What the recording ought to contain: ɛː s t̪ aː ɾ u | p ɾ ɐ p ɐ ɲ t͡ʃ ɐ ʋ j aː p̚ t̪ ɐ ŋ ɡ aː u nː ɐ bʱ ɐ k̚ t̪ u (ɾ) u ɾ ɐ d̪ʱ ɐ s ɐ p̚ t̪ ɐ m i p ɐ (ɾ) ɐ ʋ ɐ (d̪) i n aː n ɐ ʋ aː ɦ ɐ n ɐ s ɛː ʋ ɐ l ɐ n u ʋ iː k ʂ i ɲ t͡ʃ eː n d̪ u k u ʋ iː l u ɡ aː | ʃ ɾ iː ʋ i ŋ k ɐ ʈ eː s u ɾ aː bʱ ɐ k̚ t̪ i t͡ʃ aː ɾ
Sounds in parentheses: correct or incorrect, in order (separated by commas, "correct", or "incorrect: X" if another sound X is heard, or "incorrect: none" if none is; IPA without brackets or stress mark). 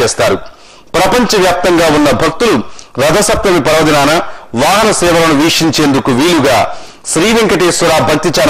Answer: incorrect: l, correct, correct